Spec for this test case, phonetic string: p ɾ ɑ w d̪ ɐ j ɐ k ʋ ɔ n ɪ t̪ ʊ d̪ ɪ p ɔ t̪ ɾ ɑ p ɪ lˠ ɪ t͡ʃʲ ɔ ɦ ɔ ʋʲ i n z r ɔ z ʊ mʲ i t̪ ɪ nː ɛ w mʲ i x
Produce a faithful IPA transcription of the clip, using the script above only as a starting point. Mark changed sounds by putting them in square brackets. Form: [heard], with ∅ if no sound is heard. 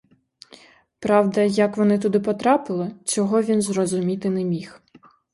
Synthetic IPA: p ɾ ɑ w d̪ ɐ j ɐ k ʋ ɔ n ɪ t̪ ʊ d̪ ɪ p ɔ t̪ ɾ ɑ p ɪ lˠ ɪ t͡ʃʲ ɔ ɦ ɔ ʋʲ i n z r ɔ z ʊ mʲ i t̪ ɪ [n] ɛ [∅] mʲ i x